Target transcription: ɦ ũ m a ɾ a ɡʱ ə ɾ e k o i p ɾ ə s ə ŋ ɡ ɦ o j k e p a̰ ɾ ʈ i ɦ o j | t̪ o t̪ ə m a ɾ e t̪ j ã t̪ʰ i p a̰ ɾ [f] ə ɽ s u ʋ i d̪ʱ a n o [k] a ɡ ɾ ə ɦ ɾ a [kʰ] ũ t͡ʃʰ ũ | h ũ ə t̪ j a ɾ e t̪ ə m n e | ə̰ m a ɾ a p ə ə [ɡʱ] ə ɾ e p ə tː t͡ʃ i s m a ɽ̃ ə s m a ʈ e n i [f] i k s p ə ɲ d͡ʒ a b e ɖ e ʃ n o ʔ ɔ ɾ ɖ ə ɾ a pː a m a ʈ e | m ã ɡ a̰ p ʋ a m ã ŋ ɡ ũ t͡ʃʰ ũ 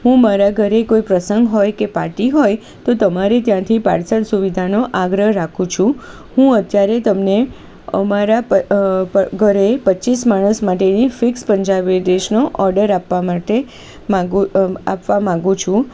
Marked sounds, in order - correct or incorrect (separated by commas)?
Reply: incorrect, incorrect, correct, correct, correct